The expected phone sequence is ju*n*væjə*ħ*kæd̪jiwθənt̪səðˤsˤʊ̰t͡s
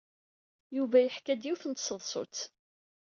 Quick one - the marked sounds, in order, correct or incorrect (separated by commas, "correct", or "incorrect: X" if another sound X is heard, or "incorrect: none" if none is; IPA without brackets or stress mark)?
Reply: incorrect: none, correct